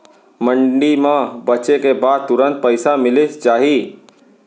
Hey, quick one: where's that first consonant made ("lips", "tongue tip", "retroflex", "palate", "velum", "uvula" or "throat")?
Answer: lips